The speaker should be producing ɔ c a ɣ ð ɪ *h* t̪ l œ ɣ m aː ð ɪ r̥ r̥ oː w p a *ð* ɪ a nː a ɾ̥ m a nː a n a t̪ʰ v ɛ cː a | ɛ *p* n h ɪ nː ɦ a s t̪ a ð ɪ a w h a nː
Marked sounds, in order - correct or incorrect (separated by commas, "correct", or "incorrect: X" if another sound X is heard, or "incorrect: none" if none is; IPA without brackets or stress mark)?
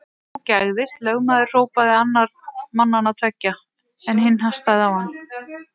incorrect: s, correct, incorrect: none